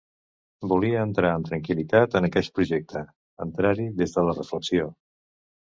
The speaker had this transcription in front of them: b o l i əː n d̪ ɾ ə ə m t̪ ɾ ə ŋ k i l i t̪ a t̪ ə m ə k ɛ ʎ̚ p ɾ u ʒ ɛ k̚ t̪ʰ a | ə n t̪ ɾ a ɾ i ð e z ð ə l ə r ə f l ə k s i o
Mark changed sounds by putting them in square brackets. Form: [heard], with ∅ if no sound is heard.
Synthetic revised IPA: b [u] l i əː n [t̪] ɾ [a] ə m t̪ ɾ ə ŋ k i l i t̪ a t̪ ə [n] ə k ɛ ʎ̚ p ɾ u ʒ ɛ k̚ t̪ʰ [ə] | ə n t̪ ɾ a ɾ i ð e z ð ə l ə r ə f l ə k s i o